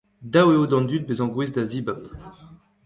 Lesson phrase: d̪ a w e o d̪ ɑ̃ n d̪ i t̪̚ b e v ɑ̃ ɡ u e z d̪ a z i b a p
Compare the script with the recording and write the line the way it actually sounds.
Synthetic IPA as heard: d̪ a w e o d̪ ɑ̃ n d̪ y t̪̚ b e z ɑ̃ ɡ w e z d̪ a z i b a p